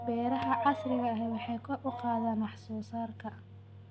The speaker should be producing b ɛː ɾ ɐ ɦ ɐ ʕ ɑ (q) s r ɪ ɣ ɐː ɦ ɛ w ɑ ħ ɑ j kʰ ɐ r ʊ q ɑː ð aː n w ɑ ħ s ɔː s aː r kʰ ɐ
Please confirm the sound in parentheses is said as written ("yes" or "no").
no